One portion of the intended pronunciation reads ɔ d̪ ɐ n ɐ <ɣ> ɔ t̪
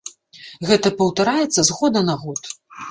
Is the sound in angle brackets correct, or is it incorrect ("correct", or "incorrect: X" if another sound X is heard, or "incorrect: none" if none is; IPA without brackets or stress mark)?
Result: correct